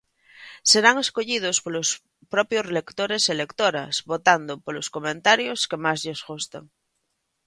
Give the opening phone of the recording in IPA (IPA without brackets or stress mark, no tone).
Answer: s